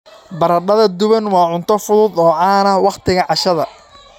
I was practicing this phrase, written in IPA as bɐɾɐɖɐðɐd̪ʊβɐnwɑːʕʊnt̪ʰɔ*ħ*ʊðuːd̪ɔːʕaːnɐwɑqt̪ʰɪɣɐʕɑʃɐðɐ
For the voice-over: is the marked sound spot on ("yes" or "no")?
no